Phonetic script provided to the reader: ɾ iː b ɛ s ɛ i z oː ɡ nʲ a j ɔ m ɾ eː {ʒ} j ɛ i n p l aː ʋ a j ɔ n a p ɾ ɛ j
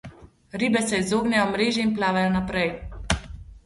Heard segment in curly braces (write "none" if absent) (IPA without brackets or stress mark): ʒ